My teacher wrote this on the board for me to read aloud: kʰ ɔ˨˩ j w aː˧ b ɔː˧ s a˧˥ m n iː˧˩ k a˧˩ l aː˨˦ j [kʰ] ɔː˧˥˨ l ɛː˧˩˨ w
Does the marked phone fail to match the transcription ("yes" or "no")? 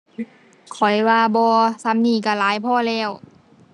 yes